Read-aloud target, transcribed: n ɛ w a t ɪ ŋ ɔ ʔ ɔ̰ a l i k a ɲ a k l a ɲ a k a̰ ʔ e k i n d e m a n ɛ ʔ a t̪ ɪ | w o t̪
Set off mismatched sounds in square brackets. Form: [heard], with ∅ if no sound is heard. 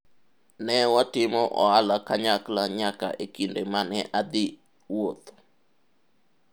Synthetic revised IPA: n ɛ w a t ɪ [m] ɔ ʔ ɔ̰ a l [a] k a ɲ a k l a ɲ a k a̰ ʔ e k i n d e m a n ɛ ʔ a [d̪] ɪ | w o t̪